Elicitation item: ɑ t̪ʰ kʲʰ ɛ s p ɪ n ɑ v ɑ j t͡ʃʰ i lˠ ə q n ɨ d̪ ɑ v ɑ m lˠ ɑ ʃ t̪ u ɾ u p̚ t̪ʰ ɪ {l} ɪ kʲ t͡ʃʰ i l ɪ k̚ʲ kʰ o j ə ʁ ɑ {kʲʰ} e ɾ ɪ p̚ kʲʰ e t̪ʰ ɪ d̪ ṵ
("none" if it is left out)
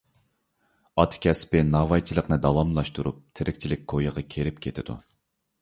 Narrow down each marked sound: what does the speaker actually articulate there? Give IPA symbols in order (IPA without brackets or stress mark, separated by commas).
ɾ, kʲʰ